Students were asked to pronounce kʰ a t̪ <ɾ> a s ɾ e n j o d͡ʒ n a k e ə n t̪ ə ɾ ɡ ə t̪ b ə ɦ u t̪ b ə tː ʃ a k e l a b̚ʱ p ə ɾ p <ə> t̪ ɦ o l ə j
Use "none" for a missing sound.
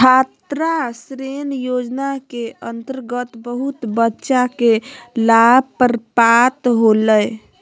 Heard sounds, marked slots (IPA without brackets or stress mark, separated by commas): ɾ, a